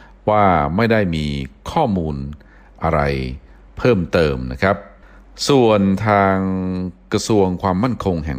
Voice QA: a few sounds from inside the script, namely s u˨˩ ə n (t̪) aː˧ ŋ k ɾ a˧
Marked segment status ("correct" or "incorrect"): incorrect